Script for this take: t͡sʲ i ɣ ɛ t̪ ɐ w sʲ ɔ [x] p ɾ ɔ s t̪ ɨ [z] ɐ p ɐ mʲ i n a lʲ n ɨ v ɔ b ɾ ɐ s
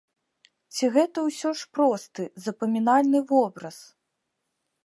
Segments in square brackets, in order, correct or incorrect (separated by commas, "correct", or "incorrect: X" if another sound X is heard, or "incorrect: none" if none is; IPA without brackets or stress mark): incorrect: ʂ, correct